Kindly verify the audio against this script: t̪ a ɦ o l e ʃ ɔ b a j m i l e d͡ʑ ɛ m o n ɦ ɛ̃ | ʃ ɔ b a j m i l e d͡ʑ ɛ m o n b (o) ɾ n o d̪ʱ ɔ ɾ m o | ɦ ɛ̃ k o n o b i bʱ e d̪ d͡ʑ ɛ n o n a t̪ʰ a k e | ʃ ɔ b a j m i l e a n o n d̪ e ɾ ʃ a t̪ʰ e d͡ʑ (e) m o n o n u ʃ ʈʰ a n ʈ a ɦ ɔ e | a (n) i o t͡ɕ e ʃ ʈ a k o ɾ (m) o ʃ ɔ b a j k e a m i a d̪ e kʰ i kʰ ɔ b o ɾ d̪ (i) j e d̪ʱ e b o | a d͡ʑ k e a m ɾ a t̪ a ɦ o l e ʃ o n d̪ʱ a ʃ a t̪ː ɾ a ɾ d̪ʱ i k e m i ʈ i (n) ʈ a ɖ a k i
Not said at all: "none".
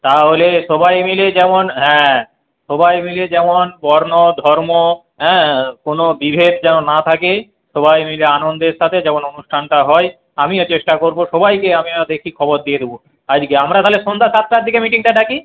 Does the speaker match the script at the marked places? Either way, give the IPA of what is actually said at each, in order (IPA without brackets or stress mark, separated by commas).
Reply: ɔ, ɛ, m, b, i, ŋ